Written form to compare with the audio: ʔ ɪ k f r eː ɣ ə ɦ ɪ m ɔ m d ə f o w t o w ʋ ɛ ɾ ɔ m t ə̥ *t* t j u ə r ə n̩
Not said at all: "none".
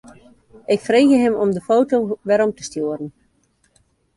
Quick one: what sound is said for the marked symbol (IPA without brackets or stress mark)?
s